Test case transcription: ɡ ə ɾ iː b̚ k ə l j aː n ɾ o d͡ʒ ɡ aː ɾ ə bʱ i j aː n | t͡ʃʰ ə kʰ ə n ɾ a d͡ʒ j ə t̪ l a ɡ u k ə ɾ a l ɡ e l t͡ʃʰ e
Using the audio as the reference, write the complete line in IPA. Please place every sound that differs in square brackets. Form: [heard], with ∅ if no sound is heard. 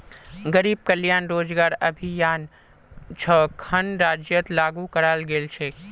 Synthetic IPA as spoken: ɡ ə ɾ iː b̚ k ə l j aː n ɾ o d͡ʒ ɡ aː ɾ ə bʱ i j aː n | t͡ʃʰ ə kʰ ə n ɾ a d͡ʒ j ə t̪ l a ɡ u k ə ɾ a l ɡ e l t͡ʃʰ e